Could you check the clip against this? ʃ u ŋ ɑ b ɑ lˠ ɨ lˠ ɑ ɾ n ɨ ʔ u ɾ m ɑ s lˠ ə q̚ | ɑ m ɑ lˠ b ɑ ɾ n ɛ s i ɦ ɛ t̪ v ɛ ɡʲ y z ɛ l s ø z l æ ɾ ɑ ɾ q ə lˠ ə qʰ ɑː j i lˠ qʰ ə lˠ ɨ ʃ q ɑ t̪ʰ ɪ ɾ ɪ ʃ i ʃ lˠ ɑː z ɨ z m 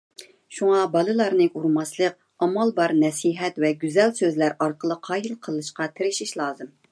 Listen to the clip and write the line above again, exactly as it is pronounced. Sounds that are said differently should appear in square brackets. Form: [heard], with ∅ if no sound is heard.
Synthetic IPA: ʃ u ŋ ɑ b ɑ lˠ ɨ lˠ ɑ ɾ n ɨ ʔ u ɾ m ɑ s lˠ ə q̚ | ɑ m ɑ lˠ b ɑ ɾ n ɛ s i ɦ ɛ t̪ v ɛ ɡʲ y z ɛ l s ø z l æ ɾ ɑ ɾ q ə lˠ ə qʰ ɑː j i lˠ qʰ ə lˠ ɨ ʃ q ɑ t̪ʰ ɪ ɾ ɪ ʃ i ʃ lˠ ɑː z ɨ [∅] m